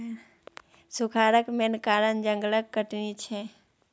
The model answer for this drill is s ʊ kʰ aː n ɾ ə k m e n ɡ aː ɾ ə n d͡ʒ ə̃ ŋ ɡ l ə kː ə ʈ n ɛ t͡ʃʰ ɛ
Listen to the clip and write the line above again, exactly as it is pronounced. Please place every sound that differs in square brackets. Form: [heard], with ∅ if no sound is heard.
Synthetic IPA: s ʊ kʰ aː [∅] ɾ ə k m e n [k] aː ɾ ə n d͡ʒ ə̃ ŋ ɡ l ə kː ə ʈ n [i] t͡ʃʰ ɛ